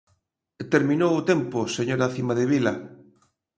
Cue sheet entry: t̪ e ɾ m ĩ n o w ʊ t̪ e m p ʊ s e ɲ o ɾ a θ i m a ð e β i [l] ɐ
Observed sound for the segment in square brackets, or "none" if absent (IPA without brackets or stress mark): l